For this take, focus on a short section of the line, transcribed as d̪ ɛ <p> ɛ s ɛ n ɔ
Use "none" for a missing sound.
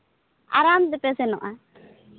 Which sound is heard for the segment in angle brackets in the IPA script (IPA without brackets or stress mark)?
p